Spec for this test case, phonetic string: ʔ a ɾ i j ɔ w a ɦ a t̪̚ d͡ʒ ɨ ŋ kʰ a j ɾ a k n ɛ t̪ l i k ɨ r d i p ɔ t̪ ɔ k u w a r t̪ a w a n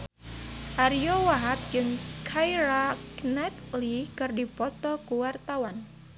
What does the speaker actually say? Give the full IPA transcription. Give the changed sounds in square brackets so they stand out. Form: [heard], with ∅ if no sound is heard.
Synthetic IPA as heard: ʔ a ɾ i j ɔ w a ɦ a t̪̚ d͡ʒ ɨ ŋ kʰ a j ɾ a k n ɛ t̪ l i k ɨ r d i p ɔ t̪ ɔ k u w a r t̪ a w a n